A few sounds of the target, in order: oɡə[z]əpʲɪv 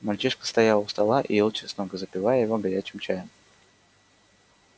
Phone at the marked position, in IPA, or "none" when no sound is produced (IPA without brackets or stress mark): z